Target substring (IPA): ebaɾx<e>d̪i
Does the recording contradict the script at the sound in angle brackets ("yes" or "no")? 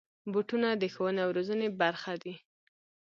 yes